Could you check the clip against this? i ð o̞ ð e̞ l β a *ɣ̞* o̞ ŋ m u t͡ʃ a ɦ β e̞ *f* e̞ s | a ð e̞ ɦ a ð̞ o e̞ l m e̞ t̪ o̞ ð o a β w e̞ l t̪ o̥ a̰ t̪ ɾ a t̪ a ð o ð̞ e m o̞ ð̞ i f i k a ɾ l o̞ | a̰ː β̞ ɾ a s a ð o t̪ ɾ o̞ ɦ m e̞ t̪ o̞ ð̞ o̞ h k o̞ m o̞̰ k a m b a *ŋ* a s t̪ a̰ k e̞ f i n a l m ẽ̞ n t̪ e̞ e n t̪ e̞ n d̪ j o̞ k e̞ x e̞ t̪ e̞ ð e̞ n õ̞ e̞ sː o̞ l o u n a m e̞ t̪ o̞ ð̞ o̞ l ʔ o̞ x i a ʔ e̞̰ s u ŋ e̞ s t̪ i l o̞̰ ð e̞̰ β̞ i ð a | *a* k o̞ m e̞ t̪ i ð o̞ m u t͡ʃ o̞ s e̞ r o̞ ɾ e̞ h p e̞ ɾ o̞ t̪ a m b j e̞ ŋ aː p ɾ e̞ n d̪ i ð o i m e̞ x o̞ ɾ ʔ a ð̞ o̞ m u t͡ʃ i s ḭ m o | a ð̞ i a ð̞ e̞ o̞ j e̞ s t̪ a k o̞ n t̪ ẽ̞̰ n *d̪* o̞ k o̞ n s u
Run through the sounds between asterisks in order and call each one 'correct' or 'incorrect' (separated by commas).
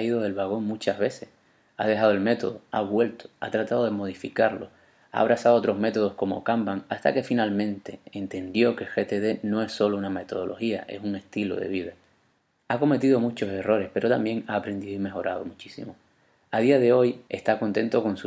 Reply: correct, incorrect, correct, correct, incorrect